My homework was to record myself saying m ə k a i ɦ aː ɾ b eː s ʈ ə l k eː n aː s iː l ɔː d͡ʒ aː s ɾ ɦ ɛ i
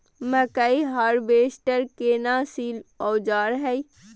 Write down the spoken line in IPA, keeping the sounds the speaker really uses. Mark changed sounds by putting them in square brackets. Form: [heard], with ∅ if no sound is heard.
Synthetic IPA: m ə k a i ɦ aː ɾ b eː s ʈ ə [ɾ] k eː n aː s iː l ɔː d͡ʒ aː [∅] ɾ ɦ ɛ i